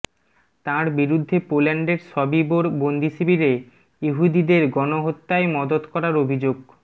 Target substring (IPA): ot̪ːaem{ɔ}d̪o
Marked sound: correct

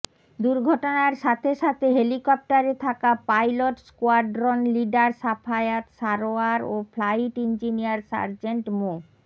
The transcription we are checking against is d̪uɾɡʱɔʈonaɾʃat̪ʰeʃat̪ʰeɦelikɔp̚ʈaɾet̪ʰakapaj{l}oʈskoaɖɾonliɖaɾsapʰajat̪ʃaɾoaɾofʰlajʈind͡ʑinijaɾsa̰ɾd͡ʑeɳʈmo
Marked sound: correct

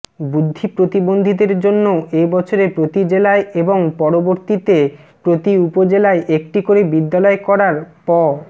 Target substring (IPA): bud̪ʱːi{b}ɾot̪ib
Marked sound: incorrect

